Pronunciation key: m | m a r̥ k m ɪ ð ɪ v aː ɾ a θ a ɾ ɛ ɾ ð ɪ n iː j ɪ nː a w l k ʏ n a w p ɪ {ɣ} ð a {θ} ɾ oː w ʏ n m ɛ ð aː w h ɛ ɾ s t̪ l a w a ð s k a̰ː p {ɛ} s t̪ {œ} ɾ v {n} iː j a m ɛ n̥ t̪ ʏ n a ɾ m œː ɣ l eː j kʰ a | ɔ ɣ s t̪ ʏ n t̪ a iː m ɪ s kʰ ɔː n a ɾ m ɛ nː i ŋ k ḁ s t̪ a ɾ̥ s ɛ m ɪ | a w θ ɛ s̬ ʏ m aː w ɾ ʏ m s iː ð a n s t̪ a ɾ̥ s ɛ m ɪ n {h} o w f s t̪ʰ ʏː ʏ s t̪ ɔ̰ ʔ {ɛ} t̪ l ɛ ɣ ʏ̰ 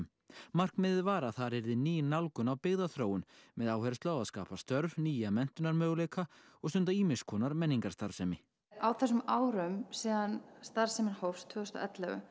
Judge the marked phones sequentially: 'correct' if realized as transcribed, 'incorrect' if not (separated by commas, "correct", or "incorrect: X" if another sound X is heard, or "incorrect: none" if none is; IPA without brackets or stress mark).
correct, correct, incorrect: a, correct, correct, correct, correct